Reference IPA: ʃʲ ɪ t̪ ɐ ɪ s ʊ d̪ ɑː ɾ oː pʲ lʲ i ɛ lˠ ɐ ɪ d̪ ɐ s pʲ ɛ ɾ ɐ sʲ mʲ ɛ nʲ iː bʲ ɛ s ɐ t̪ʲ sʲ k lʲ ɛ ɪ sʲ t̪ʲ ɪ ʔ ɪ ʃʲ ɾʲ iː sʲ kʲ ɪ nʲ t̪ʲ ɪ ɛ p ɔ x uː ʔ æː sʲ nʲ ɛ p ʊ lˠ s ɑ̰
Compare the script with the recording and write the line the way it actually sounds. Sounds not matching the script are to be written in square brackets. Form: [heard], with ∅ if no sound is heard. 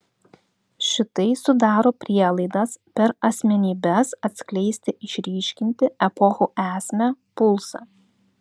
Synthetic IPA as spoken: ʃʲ ɪ t̪ ɐ ɪ s ʊ d̪ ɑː ɾ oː pʲ [ɾʲ] i ɛ lˠ ɐ ɪ d̪ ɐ s pʲ ɛ ɾ ɐ sʲ mʲ ɛ nʲ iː bʲ ɛ s ɐ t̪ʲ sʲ k lʲ ɛ ɪ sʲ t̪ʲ ɪ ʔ ɪ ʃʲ ɾʲ iː [ʃʲ] kʲ ɪ nʲ t̪ʲ ɪ ɛ p ɔ x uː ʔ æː sʲ [mʲ] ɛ p ʊ lˠ s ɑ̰